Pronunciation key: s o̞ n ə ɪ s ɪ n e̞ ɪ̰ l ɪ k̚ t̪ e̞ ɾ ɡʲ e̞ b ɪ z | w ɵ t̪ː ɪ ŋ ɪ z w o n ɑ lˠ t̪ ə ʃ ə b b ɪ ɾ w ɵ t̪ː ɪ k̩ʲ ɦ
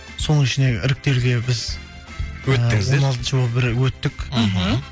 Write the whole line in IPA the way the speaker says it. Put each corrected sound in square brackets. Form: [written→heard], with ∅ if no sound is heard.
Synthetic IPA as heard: s o̞ n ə ɪ [s→ʃ] ɪ n e̞ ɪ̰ [l→ɾ] ɪ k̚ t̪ e̞ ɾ ɡʲ e̞ b ɪ z | w ɵ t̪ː ɪ ŋ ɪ z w o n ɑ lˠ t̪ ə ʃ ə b b ɪ ɾ w ɵ t̪ː ɪ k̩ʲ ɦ